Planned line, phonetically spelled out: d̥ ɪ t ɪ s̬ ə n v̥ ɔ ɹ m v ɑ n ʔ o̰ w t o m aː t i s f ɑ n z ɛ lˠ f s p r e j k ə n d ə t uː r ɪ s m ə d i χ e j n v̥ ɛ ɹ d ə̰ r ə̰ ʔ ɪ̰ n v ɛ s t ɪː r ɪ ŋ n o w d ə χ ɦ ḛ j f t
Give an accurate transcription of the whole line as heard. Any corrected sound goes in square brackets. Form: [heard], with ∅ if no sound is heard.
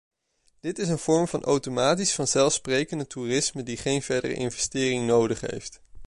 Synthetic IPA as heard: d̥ ɪ t ɪ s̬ ə n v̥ ɔ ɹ m v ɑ n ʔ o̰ w t o m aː t i s f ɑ n z ɛ lˠ f s p r e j k ə n d ə t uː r ɪ s m ə d i χ e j n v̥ ɛ ɹ d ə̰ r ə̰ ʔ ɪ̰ n v ɛ s t ɪː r ɪ ŋ n o w d ə χ ɦ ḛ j f t